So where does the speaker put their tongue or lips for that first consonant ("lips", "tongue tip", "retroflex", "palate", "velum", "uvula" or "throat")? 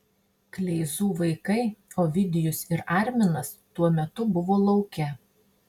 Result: velum